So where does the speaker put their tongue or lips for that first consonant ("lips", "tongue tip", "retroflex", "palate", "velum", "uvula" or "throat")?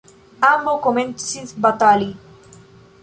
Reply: lips